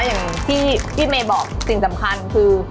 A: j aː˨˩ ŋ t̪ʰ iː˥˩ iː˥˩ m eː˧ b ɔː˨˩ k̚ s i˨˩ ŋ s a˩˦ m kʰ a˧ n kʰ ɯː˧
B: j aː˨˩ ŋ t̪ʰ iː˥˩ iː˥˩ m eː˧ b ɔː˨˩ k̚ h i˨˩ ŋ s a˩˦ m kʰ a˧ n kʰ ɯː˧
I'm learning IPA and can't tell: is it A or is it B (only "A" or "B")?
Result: A